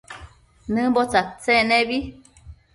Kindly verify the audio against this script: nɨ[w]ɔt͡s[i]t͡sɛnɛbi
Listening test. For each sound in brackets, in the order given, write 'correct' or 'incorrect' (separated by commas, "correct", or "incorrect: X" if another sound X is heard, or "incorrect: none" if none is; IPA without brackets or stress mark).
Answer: incorrect: b, incorrect: a